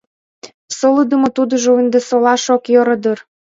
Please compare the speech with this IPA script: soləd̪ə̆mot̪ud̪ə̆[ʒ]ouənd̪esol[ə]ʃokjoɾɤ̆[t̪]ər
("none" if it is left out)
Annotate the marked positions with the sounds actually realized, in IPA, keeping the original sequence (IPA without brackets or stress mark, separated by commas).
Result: ʒ, ɑ, d̪